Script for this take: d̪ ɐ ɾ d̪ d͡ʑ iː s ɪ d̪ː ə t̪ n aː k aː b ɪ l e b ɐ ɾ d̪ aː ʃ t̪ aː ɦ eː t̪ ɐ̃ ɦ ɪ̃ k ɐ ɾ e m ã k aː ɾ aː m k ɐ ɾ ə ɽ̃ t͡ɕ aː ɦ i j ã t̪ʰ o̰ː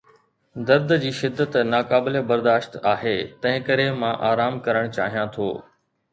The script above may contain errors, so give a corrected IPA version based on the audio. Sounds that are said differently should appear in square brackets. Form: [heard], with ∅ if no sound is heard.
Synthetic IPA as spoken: d̪ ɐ ɾ d̪ d͡ʑ iː [ʃ] ɪ d̪ː ə t̪ n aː k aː b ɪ l e b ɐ ɾ d̪ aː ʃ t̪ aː ɦ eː t̪ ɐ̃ ɦ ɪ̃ k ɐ ɾ e m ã [ʔ] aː ɾ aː m k ɐ ɾ ə ɽ̃ t͡ɕ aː ɦ i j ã t̪ʰ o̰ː